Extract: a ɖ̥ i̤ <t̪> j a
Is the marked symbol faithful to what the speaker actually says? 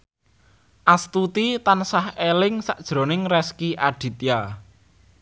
yes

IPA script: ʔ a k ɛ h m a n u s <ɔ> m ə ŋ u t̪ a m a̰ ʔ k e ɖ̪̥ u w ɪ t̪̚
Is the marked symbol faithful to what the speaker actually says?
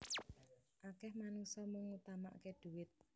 yes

